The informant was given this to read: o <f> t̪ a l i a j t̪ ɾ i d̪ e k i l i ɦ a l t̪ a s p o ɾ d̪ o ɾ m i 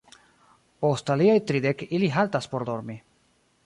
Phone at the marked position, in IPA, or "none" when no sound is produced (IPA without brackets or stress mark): s